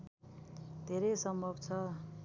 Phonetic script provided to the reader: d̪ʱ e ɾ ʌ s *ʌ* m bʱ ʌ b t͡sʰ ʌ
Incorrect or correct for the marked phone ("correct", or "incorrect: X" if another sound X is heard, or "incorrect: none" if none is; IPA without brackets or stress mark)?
correct